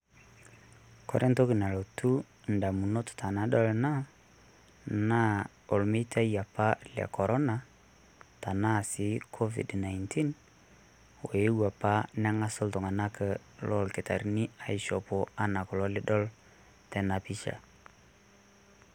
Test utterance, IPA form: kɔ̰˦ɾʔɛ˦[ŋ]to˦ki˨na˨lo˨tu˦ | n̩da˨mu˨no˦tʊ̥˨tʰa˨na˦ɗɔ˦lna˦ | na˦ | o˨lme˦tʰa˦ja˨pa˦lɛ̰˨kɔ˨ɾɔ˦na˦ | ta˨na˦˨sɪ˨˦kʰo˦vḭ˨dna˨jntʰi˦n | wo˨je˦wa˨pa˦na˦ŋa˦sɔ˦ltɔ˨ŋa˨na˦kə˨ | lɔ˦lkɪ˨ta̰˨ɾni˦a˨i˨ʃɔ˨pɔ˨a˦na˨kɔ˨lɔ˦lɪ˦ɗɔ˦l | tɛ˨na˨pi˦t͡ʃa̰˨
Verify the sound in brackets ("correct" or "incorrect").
incorrect